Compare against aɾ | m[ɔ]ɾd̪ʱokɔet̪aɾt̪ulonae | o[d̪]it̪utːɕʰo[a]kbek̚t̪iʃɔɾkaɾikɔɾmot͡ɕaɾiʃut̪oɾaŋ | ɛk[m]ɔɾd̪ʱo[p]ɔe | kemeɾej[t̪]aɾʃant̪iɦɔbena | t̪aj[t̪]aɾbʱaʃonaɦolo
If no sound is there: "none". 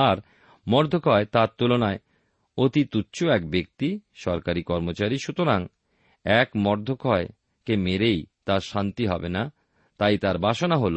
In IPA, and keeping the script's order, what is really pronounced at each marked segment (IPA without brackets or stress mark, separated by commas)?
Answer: ɔ, t̪, ɛ, m, k, t̪, t̪